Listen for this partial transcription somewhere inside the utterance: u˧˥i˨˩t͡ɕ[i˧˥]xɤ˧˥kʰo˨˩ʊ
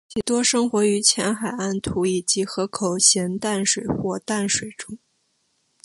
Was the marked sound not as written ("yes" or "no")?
no